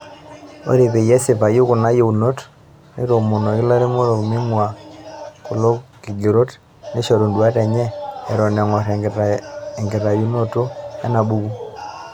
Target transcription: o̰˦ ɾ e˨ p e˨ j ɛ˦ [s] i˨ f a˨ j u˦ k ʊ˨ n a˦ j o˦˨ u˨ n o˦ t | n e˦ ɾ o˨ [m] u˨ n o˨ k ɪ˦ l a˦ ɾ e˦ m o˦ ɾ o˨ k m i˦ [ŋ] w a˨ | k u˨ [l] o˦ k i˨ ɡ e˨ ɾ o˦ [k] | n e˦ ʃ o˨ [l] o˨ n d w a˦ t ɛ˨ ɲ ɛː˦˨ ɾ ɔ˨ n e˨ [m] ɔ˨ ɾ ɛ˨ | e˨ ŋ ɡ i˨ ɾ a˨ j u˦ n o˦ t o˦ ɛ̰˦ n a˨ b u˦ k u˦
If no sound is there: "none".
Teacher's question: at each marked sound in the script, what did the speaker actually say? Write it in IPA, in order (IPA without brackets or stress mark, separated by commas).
s, m, ŋ, l, t, ɾ, ŋ